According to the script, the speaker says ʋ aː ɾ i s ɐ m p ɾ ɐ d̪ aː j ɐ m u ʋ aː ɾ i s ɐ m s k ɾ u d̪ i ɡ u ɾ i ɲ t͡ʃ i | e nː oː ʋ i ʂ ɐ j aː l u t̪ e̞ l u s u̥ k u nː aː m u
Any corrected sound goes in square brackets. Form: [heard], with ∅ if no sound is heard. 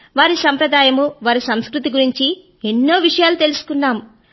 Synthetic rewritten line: ʋ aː ɾ i s ɐ m p ɾ ɐ d̪ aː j ɐ m u ʋ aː ɾ i s ɐ m s k ɾ u [t̪] i ɡ u ɾ i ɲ t͡ʃ i | e nː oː ʋ i ʂ ɐ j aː l u t̪ e̞ l u s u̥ k u nː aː m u